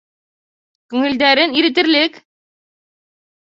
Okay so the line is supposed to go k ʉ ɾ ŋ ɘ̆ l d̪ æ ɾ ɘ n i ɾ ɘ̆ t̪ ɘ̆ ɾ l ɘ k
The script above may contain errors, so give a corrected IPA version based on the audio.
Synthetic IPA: k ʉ ŋ ɘ̆ l d̪ æ ɾ ɘ n i ɾ ɘ̆ t̪ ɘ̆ ɾ l ɘ k